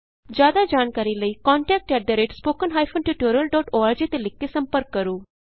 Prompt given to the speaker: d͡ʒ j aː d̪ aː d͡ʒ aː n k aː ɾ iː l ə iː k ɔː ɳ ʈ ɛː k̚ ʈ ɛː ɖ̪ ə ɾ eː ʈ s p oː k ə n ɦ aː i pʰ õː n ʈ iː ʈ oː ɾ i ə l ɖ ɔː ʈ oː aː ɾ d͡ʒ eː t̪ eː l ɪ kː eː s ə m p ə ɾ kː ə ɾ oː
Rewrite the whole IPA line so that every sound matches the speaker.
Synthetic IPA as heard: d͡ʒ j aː d̪ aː d͡ʒ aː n k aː ɾ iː l ə iː k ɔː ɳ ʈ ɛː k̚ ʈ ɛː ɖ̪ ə ɾ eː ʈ s p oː k ə n ɦ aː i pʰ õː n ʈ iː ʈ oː ɾ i ə l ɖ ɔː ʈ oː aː ɾ d͡ʒ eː t̪ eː l ɪ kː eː s ə m p ə ɾ kː ə ɾ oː